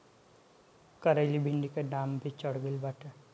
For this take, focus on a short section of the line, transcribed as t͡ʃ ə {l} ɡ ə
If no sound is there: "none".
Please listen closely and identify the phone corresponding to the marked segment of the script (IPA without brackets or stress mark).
ɽ